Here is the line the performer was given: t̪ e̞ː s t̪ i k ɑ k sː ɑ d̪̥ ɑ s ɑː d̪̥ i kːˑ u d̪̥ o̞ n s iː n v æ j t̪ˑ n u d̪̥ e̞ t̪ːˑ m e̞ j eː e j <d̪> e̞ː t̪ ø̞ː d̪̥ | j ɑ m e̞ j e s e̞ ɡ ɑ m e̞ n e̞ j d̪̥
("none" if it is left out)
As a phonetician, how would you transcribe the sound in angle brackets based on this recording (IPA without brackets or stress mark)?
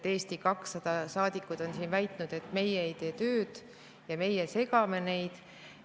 t̪